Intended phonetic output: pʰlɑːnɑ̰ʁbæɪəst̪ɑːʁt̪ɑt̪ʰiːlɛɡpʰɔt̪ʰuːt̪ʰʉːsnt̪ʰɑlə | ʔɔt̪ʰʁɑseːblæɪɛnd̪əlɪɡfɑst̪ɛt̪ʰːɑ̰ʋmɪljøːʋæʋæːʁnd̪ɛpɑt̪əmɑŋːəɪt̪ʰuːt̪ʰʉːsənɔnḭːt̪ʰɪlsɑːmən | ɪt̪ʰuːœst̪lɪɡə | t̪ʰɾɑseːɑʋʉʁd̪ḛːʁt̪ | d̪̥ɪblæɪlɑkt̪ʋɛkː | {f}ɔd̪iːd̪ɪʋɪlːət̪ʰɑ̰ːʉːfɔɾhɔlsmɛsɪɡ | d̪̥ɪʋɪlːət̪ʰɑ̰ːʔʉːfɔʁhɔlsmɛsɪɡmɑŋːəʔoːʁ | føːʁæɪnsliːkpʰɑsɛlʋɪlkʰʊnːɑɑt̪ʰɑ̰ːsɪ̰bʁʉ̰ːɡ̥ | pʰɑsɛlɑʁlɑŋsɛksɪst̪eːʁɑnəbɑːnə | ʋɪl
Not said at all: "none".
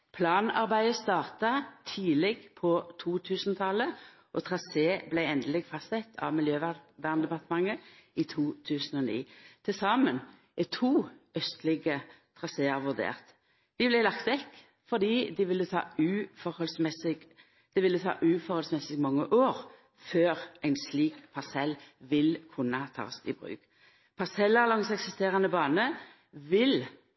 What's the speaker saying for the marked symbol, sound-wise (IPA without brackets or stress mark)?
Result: f